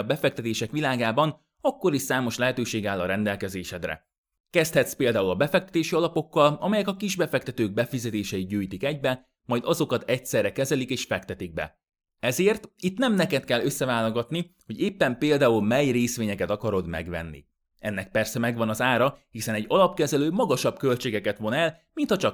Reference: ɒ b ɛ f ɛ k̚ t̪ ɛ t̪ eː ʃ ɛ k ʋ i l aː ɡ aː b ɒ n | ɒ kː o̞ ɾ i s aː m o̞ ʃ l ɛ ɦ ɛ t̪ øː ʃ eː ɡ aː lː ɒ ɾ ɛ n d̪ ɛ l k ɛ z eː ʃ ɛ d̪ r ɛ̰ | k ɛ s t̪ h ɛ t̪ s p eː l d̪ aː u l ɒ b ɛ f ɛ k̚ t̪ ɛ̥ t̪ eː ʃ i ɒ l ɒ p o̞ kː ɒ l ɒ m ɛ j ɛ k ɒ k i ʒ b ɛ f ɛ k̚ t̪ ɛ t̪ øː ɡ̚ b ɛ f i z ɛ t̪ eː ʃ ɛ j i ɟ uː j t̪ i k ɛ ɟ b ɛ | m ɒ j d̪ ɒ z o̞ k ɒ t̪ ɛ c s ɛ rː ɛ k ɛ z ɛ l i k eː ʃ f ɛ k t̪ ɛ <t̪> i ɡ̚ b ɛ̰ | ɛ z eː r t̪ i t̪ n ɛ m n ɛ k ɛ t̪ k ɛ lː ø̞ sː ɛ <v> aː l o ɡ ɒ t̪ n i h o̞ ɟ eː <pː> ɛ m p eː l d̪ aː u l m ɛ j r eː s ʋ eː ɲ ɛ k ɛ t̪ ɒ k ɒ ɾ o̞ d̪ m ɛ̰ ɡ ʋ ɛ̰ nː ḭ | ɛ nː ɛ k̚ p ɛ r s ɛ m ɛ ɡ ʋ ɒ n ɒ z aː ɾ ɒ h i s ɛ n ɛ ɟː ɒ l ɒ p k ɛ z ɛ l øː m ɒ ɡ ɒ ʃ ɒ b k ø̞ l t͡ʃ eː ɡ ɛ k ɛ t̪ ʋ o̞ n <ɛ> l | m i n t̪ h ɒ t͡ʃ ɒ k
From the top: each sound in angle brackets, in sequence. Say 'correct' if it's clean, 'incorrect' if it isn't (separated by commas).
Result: correct, correct, correct, correct